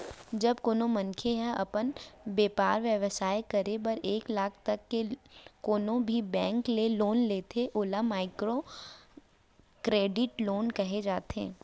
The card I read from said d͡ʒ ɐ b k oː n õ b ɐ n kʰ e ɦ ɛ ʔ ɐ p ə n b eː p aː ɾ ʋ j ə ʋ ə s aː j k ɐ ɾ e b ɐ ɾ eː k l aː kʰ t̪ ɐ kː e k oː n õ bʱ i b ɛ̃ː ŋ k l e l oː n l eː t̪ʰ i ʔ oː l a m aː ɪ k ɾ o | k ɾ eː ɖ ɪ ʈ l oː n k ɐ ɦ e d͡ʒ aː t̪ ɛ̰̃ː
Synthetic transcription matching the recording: d͡ʒ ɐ b k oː n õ m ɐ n kʰ e ɦ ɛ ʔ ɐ p ə n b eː p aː ɾ ʋ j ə ʋ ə s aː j k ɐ ɾ e b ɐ ɾ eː k l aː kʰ t̪ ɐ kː e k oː n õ bʱ i b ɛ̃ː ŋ k l e l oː n l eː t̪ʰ e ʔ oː l a m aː ɪ k ɾ o | k ɾ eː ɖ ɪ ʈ l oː n k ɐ ɦ e d͡ʒ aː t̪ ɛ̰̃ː